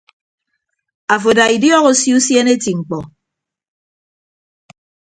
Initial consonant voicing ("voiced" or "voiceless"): voiceless